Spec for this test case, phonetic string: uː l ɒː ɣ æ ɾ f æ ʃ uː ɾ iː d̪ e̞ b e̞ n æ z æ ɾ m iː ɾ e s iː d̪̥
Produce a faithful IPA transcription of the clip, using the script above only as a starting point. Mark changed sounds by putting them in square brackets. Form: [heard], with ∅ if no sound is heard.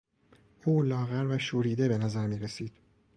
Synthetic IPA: uː l ɒː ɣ æ ɾ [v] æ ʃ uː ɾ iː d̪ e̞ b e̞ n æ z æ ɾ m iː ɾ e s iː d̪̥

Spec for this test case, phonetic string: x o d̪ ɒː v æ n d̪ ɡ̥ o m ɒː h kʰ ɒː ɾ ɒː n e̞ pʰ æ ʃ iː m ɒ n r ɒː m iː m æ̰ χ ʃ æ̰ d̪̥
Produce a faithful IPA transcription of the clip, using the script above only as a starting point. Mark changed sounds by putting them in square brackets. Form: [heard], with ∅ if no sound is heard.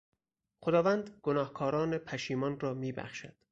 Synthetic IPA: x o d̪ ɒː v æ n d̪ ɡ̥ o [n] ɒː h kʰ ɒː ɾ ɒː n e̞ pʰ æ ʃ iː m ɒ n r ɒː m iː [b] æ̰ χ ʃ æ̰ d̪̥

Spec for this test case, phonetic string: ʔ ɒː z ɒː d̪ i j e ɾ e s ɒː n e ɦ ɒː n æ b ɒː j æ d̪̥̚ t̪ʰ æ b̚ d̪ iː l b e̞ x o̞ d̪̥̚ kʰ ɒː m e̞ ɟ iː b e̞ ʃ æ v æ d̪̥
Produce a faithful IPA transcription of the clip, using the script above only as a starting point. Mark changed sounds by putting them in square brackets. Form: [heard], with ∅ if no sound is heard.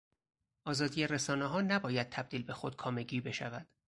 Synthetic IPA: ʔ ɒː z ɒː d̪ i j e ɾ e s ɒː n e ɦ ɒː n æ b ɒː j æ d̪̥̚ t̪ʰ æ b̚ d̪ iː l b e̞ x o̞ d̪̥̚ kʰ ɒː m e̞ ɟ iː b e̞ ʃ æ v æ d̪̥

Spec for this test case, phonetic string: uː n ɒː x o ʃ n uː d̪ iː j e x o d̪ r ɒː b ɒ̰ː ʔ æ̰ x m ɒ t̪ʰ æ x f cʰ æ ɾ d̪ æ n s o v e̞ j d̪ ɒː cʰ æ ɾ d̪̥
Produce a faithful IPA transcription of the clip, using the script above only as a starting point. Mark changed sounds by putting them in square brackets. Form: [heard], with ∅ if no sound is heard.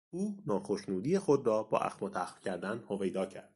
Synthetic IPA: uː n ɒː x o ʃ n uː d̪ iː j e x o d̪ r ɒː b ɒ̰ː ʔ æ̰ x m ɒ t̪ʰ æ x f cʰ æ ɾ d̪ æ n [h] o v e̞ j d̪ ɒː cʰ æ ɾ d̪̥

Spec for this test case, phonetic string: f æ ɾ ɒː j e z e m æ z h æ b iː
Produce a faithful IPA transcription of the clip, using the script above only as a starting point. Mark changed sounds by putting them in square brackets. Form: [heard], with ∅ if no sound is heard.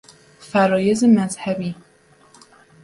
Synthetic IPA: f æ ɾ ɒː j e z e m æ z h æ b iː

